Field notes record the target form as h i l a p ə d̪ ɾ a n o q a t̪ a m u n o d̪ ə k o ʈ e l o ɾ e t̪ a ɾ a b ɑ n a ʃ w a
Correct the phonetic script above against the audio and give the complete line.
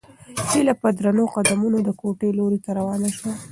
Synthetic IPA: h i l a p ə d̪ ɾ a n o q a d̪ a m u n o d̪ ə k o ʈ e l o ɾ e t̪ a ɾ a w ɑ n a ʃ w a